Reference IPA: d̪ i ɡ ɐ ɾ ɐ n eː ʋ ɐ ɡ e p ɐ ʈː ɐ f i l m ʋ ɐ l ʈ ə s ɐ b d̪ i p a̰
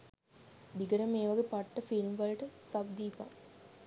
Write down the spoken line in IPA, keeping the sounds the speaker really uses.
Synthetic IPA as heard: d̪ i ɡ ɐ ɾ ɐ m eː ʋ ɐ ɡ e p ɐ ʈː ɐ f i l m ʋ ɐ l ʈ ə s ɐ b d̪ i p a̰